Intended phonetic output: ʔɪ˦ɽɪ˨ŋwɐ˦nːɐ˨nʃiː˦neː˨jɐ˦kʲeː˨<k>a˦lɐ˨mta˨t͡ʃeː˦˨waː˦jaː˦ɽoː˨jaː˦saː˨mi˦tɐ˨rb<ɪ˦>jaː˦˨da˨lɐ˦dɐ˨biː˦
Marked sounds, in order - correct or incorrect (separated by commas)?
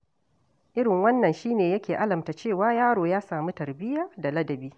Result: incorrect, correct